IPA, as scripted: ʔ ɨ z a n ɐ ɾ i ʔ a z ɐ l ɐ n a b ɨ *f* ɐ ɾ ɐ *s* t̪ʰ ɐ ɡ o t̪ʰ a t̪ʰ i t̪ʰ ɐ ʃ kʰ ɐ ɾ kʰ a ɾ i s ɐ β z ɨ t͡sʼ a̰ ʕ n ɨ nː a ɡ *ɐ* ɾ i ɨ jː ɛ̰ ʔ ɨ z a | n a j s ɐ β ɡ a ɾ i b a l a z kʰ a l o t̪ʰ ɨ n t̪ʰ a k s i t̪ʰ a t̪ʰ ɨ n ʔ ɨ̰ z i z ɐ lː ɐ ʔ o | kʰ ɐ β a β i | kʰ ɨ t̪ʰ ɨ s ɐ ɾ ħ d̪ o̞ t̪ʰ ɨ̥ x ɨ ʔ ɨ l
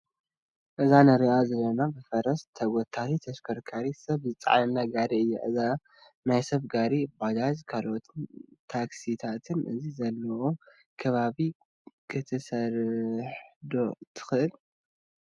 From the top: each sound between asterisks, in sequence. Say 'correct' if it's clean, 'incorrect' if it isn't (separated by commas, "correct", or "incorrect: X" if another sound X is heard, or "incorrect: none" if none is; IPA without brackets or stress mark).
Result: correct, correct, incorrect: a